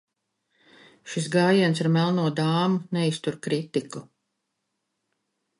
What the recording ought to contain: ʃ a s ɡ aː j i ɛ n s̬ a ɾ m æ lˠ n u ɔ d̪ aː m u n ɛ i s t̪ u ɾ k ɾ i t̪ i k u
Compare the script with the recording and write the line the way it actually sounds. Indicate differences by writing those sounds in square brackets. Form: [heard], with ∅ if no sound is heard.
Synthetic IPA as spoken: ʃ [i] s ɡ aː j i ɛ n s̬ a ɾ m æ lˠ n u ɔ d̪ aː m u n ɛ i s t̪ u ɾ k ɾ i t̪ i k u